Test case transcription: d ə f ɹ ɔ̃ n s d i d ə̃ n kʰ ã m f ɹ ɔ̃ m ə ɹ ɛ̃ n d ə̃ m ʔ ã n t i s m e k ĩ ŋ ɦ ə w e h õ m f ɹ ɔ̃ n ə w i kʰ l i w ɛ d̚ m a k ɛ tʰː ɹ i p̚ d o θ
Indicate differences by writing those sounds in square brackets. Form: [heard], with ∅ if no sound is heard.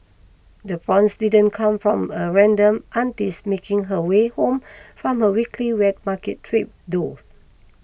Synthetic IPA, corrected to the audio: d ə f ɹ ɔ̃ n s d i d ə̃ n kʰ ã m f ɹ ɔ̃ m ə ɹ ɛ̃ n d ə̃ m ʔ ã n t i s m e k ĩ ŋ ɦ ə w e h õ m f ɹ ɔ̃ [m] ə w i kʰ l i w ɛ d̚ m a k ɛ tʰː ɹ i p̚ d o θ

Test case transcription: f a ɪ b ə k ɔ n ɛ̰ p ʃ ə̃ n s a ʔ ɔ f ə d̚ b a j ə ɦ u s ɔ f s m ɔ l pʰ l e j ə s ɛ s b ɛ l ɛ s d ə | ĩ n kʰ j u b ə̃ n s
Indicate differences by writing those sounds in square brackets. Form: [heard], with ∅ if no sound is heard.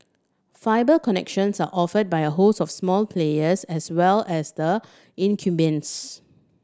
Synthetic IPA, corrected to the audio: f a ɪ b ə k ɔ n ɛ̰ [k] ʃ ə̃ n s a ʔ ɔ f ə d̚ b a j ə ɦ [o] s ɔ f s m ɔ l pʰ l e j ə s ɛ s [w] ɛ l ɛ s d ə | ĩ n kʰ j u b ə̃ n s

